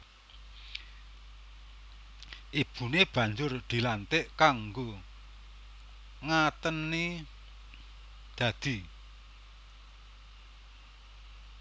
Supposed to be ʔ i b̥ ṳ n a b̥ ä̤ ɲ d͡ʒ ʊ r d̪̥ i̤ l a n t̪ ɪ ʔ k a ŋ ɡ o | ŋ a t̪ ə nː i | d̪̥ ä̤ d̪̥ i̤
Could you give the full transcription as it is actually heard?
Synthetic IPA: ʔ i b̥ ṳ n e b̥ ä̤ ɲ d͡ʒ ʊ r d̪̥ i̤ l a n t̪ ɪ ʔ k a ŋ ɡ o | ŋ a t̪ ə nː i | d̪̥ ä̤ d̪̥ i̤

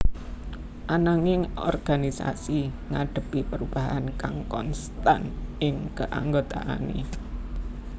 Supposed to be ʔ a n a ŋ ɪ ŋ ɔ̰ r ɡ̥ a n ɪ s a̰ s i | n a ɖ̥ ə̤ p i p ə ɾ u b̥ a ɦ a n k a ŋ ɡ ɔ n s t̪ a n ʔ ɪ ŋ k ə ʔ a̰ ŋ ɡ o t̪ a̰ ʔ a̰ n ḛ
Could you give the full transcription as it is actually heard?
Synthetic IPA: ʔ a n a ŋ ɪ ŋ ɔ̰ r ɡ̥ a n i s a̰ s i | ŋ a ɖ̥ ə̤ p i p ə ɾ u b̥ a ɦ a n k a ŋ k ɔ n s t̪ a n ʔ ɪ ŋ k ə ʔ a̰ ŋ ɡ o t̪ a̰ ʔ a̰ n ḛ

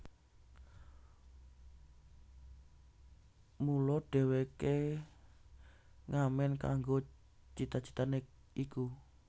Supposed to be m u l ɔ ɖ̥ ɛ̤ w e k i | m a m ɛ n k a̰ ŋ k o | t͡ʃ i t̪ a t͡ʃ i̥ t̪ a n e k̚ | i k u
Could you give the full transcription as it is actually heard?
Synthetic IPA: m u l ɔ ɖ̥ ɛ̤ w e k e | ŋ a m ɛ n k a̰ ŋ ɡ o | t͡ʃ i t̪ a t͡ʃ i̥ t̪ a n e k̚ | i k u

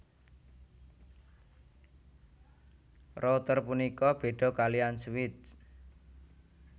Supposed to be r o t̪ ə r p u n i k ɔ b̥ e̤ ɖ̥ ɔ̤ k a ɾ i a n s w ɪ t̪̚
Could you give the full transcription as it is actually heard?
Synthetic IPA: r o t̪ ə r p u n i k ɔ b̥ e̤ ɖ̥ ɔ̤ k a l i a n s w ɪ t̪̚

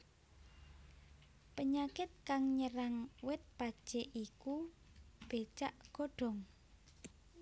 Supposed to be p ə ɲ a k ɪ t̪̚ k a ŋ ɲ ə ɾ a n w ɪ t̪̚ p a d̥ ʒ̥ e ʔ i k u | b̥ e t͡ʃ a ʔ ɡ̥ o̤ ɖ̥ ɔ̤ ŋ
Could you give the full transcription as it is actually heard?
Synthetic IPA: p ə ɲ a k ɪ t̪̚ k a ŋ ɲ ə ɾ a ŋ w ɪ t̪̚ p a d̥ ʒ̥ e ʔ i k u | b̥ e t͡ʃ a ʔ ɡ̥ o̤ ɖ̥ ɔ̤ ŋ

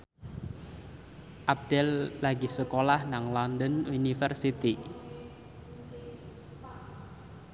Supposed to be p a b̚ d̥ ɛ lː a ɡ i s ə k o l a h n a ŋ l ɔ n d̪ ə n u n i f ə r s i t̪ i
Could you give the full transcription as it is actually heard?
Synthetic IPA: ʔ a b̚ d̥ ɛ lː a ɡ i s ə k o l a h n a ŋ l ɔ n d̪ ə n u n i f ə r s i t̪ i

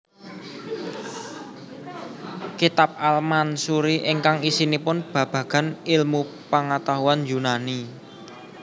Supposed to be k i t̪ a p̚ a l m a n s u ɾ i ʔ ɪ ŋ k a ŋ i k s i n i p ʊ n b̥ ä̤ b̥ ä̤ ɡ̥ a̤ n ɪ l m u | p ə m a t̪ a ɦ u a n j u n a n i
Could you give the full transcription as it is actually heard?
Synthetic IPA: k i t̪ a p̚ a l m a n s u ɾ i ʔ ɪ ŋ k a ŋ i s i n i p ʊ n b̥ ä̤ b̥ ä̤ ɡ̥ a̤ n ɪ l m u | p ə ŋ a t̪ a ɦ u a n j u n a n i

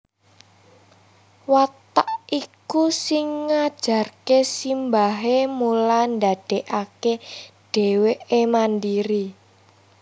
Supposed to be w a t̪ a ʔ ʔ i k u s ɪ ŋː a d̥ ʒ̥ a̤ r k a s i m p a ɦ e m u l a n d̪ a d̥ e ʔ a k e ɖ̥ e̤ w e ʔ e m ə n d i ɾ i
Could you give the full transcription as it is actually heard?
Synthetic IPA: w a t̪ a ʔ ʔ i k u s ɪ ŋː a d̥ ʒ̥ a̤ r k e s i m b a ɦ e m u l a n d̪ a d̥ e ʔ a k e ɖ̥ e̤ w e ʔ e m a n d i ɾ i

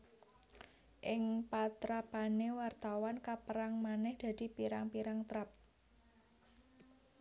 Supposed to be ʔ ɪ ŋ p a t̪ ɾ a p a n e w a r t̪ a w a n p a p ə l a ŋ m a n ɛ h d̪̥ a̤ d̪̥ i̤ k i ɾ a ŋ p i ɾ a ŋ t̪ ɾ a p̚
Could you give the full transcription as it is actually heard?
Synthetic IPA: ʔ ɪ ŋ p a t̪ ɾ a p a n e w a r t̪ a w a n k a p ə ɾ a ŋ m a n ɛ h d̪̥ a̤ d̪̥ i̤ p i ɾ a ŋ p i ɾ a ŋ t̪ ɾ a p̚

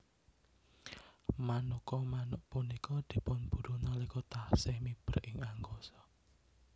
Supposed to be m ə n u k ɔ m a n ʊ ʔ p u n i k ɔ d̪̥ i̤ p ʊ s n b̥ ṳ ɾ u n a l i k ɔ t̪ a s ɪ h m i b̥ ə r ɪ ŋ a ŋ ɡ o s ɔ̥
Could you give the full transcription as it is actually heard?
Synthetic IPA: m a n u k ɔ m a n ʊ ʔ p u n i k ɔ d̪̥ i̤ p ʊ n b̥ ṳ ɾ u n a l i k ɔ t̪ a s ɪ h m i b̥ ə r ɪ ŋ a ŋ ɡ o s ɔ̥

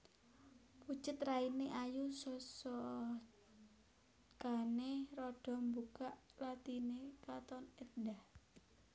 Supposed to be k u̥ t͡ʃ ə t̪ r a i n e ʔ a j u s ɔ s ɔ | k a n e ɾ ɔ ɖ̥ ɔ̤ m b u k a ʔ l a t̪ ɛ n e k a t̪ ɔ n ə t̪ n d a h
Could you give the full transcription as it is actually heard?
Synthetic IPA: p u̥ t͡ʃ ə t̪ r a i n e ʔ a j u s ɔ s ɔ | k a n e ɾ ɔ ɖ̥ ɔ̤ m b u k a ʔ l a t̪ i n e k a t̪ ɔ n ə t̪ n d a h

